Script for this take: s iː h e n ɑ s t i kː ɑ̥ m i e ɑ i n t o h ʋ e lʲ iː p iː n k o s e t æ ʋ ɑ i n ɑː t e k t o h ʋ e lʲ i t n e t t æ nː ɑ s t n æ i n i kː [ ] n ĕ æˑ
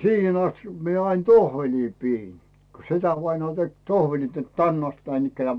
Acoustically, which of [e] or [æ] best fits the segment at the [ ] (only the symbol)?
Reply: æ